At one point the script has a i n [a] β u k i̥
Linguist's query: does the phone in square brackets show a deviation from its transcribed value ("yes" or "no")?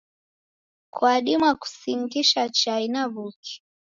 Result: no